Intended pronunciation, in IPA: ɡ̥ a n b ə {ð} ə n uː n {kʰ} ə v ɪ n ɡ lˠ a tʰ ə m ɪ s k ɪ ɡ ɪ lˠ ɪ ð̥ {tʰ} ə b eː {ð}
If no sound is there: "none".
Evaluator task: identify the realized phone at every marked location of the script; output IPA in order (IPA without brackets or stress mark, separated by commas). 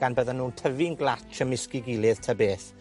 ð, tʰ, tʰ, θ